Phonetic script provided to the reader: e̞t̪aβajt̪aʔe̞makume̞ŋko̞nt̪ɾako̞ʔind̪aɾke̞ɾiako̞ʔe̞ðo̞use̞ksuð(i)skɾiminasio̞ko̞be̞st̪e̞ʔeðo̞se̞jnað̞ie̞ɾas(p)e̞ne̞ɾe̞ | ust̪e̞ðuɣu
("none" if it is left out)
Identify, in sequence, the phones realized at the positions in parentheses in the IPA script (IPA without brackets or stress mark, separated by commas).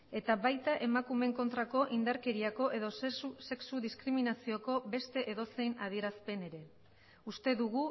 i, p